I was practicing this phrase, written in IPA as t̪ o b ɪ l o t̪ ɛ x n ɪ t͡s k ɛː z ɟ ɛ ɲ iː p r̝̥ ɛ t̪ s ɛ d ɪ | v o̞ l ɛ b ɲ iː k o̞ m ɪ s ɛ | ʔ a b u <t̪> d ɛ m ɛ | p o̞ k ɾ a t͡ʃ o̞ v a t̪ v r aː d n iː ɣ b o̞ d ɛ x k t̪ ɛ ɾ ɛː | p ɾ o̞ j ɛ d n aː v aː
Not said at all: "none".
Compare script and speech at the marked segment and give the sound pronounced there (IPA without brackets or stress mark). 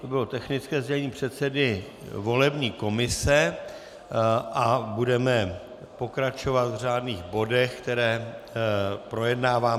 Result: none